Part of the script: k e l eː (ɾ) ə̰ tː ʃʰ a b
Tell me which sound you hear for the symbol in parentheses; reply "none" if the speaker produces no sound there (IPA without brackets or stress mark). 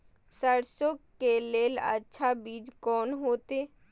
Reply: l